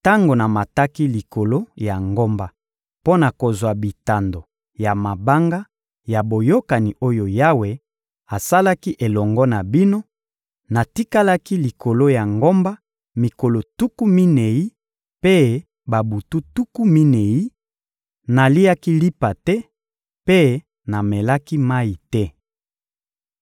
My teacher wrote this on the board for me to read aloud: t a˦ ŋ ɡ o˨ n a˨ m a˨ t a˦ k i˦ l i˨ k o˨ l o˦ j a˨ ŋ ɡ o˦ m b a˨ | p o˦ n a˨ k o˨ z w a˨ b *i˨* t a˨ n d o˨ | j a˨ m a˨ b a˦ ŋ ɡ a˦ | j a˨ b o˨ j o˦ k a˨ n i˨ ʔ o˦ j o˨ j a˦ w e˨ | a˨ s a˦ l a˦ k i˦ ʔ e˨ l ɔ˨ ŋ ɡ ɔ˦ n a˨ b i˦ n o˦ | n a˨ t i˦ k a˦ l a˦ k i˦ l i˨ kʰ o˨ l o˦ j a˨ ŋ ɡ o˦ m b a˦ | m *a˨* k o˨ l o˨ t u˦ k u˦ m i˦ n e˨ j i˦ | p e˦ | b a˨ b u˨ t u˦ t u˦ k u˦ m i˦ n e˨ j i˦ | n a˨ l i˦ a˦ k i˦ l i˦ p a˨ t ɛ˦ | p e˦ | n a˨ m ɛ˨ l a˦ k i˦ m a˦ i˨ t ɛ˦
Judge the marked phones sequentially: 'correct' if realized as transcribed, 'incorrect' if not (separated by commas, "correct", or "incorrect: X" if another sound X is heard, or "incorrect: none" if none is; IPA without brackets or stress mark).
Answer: correct, incorrect: i˨